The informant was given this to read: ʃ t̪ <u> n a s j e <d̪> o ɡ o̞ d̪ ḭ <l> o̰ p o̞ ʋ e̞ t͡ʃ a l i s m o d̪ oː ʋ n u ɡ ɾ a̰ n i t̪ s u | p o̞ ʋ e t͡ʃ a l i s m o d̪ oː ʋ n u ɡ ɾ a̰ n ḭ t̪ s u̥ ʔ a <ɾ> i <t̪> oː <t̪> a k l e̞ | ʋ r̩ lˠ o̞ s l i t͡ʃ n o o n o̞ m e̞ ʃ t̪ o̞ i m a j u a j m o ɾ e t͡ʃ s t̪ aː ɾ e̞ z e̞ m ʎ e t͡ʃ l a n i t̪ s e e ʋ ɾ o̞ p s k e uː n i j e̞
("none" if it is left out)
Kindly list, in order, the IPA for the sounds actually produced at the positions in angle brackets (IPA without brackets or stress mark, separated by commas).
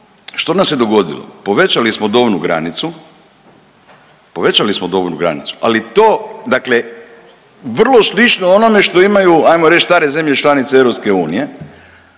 o, d̪, l, l, t̪, d̪